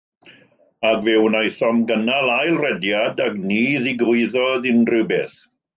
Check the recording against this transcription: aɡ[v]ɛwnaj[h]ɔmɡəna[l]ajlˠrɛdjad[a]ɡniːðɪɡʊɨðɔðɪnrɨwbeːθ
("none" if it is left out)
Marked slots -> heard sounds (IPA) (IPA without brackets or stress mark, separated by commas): v, θ, l, a